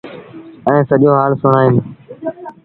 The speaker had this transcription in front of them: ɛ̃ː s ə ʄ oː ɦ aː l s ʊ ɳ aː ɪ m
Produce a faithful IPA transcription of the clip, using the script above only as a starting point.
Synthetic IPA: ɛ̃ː s ə ʄ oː ɦ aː l s ʊ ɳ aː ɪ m